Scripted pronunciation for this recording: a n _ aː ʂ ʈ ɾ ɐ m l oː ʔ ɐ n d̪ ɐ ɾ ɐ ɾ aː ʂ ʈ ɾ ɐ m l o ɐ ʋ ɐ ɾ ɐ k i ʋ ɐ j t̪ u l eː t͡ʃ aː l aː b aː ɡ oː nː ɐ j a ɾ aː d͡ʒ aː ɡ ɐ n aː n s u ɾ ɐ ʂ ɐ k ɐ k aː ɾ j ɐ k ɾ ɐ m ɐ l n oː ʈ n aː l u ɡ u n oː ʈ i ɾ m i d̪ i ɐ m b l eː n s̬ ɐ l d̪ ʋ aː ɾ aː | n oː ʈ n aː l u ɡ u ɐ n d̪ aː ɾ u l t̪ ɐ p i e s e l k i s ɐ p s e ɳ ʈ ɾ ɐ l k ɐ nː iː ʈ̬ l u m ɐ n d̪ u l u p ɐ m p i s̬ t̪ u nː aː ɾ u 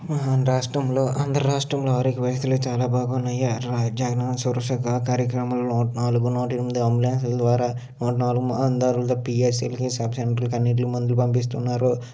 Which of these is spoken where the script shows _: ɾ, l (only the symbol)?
ɾ